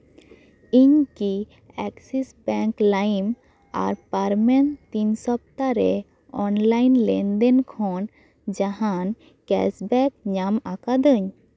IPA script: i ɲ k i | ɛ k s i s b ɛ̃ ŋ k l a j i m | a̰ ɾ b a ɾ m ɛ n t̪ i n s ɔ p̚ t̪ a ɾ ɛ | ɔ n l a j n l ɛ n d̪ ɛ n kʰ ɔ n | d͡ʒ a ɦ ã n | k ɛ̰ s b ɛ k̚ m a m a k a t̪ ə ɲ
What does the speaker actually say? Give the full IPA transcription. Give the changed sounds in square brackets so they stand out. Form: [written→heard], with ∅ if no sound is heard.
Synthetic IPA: i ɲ k i | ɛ k s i s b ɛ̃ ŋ k l a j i m | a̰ ɾ [b→p] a ɾ m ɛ n t̪ i n s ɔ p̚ t̪ a ɾ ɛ | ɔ n l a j n l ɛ n d̪ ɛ n kʰ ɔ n | d͡ʒ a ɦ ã n | k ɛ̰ s b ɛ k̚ [m→ɲ] a m a k a [t̪→d̪] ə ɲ

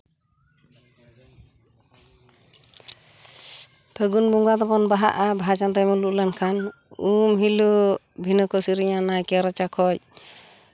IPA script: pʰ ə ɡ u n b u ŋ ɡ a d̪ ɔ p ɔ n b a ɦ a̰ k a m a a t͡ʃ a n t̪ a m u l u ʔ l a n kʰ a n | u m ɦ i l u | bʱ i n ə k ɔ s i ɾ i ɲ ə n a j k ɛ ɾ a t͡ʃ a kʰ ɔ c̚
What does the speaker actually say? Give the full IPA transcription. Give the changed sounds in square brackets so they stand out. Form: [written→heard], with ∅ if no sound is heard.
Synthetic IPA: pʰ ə ɡ u n b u ŋ ɡ a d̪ ɔ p ɔ n b a ɦ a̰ [k→ʔ] a [m→b] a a t͡ʃ a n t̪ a m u l u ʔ l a n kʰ a n | u m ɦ i l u | bʱ i n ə k ɔ s i ɾ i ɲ [ə→a] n a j k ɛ ɾ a t͡ʃ a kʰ ɔ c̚

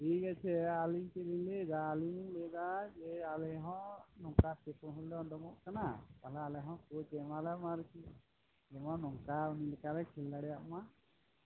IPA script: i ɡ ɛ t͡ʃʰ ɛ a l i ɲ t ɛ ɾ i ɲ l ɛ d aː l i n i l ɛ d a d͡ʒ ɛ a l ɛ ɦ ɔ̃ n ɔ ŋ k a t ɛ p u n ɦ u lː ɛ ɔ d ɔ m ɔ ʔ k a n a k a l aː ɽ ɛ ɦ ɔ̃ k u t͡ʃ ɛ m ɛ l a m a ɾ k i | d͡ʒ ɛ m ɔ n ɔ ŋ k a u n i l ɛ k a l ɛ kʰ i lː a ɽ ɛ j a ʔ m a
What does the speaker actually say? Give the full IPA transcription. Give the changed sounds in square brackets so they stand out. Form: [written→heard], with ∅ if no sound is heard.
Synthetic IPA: i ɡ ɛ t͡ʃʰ ɛ a l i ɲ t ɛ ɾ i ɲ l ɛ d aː l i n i l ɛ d a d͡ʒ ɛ a l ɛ ɦ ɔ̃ n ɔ ŋ k a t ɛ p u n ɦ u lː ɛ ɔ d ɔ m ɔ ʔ k a n a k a l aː [ɽ→l] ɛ ɦ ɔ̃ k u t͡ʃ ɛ m [ɛ→a] l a m a ɾ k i | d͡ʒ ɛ m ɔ n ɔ ŋ k a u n i l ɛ k a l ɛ kʰ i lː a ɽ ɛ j a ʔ m a

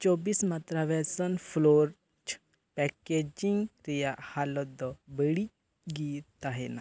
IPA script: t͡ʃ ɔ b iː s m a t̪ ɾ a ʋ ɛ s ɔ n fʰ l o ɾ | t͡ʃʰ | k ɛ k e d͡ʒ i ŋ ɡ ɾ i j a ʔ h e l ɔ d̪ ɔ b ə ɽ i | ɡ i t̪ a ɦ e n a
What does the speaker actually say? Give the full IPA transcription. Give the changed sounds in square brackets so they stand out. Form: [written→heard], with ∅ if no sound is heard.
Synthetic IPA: t͡ʃ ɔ b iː s m a t̪ ɾ a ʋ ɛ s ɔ n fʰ l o ɾ | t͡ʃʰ | [k→p] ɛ k e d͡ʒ i ŋ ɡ ɾ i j a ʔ h [e→a] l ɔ d̪ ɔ b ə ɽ i | ɡ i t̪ a ɦ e n a

